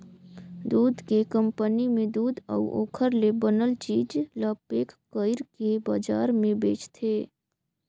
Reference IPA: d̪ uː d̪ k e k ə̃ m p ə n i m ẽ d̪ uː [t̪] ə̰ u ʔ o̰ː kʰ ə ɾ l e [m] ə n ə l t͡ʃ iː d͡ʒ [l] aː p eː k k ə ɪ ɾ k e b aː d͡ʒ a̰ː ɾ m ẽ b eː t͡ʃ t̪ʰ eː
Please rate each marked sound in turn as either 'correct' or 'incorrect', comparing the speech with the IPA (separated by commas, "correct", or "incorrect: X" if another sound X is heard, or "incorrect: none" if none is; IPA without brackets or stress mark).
incorrect: d̪, incorrect: b, correct